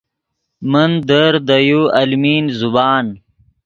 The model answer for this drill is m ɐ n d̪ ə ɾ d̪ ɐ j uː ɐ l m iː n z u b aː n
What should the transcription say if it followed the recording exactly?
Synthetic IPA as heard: m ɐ n d̪ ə ɾ d̪ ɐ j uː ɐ l m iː n z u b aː n